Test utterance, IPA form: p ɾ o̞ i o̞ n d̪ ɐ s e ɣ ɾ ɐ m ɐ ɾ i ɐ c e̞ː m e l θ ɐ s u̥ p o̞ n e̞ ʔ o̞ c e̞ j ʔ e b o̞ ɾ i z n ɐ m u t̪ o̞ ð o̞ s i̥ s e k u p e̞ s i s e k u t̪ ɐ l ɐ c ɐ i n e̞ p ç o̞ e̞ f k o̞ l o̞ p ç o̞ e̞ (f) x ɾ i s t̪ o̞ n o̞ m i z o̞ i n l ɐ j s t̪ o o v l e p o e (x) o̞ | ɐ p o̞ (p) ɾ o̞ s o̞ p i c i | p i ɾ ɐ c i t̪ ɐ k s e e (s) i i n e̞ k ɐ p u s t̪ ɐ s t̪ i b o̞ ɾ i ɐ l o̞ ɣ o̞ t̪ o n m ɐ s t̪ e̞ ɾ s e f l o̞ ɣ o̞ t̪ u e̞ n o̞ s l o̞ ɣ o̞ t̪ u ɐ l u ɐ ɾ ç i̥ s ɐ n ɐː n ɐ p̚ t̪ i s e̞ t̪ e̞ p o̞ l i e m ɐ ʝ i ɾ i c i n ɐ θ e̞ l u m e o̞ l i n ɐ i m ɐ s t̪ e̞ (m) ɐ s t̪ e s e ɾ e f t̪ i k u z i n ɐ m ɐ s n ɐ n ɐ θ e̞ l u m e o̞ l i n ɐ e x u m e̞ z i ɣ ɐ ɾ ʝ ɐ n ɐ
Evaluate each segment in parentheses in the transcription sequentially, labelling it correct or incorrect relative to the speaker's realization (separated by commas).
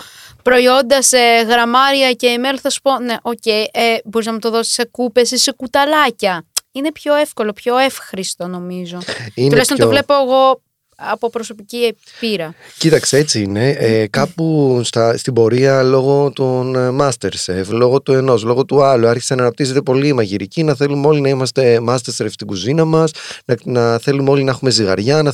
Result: correct, incorrect, correct, incorrect, correct